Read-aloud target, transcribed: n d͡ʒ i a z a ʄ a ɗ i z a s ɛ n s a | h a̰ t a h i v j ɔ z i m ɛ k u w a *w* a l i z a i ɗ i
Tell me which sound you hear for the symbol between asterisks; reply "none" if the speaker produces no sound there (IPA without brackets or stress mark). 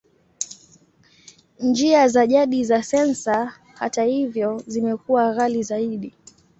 ɣ